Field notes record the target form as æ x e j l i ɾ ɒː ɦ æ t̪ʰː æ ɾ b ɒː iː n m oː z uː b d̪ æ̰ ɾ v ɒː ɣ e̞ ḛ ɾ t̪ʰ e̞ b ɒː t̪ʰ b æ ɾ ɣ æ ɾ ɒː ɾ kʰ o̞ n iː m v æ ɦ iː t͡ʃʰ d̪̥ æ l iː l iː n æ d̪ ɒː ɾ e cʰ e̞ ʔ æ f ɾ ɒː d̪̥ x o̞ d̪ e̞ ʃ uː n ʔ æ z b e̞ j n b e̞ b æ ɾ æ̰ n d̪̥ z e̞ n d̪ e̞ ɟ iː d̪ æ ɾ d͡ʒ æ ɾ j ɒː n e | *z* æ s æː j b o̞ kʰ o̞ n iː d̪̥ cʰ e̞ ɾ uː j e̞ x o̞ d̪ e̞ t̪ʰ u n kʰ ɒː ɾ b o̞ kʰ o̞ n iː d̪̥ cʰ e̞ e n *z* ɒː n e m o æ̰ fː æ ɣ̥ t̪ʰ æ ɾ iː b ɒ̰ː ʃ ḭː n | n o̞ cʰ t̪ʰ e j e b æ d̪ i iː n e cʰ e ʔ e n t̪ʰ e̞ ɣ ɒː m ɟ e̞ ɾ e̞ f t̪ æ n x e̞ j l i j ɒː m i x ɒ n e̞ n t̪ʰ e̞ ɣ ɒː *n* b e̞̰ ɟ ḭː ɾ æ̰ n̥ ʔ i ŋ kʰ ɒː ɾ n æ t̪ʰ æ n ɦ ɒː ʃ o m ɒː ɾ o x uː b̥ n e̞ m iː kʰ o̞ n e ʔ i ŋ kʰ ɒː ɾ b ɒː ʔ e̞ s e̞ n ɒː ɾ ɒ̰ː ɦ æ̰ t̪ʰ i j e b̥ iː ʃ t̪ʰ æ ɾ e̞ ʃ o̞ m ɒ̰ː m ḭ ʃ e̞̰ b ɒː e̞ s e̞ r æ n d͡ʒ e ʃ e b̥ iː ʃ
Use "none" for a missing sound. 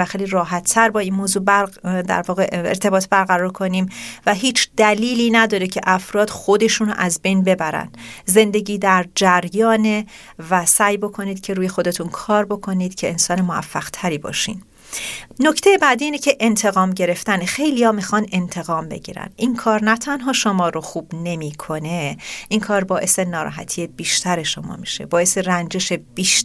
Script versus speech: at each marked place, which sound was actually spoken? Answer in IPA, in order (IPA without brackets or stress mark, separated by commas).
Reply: v, s, m